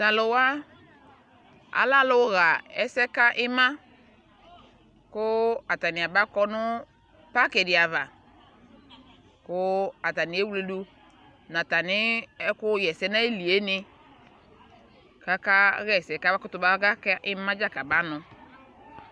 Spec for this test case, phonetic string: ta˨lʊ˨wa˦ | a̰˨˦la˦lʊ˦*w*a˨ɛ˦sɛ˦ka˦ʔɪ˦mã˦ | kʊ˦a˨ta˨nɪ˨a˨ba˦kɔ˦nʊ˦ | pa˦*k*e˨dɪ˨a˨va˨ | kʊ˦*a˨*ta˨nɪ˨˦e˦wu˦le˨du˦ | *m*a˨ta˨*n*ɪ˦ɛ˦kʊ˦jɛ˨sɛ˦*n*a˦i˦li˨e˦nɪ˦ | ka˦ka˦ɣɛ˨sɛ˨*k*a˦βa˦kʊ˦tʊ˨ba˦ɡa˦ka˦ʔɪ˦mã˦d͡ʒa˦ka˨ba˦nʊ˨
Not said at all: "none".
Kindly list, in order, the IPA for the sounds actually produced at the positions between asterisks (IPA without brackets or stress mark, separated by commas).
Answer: ɣ, k, a˨, n, n, n, k